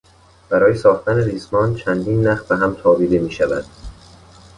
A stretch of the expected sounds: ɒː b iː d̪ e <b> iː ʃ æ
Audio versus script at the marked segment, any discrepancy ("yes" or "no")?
yes